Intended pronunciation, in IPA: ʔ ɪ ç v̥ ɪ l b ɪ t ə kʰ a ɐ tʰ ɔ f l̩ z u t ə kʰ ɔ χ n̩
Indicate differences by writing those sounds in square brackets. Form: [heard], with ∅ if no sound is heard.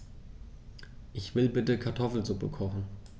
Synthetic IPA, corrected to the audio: ʔ ɪ ç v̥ ɪ l b ɪ t ə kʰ a ɐ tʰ ɔ f l̩ z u [p] ə kʰ ɔ χ n̩